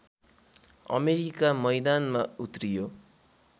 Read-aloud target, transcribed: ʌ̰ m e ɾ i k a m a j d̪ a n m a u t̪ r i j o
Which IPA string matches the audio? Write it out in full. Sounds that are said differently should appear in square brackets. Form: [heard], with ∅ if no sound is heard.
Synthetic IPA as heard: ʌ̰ m e ɾ i k a m [ʌ] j d̪ a n m a u t̪ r i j o

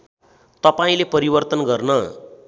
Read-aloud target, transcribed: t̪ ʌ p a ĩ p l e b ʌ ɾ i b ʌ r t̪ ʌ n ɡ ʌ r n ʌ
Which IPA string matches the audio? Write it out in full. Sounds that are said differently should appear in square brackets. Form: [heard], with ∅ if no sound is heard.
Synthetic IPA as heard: t̪ ʌ p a ĩ [∅] l e [p] ʌ ɾ i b ʌ r t̪ ʌ n ɡ ʌ r n ʌ

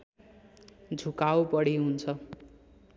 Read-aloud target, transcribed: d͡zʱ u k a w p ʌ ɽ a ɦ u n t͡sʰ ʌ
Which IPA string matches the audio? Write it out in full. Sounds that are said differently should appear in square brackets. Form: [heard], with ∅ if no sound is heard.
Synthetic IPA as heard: d͡zʱ u k a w p ʌ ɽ [i] ɦ u n t͡sʰ ʌ

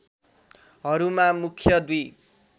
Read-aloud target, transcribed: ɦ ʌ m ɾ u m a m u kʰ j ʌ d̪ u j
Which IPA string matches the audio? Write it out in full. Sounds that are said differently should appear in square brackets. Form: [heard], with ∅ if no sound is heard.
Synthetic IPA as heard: ɦ ʌ [∅] ɾ u m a m u kʰ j ʌ d̪ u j

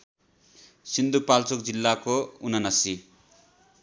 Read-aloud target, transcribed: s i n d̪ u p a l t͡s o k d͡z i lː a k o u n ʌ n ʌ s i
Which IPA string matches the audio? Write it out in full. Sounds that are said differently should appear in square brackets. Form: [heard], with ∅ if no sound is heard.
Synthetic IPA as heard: s i n d̪ u p a l t͡s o k d͡z i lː a k o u n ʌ n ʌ s i

